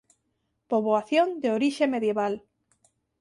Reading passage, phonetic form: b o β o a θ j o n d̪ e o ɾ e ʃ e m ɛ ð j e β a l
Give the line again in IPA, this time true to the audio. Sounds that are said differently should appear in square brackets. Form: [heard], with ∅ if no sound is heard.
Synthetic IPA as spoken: [p] o β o a θ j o n d̪ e o ɾ [i] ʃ e m [e] ð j e β a l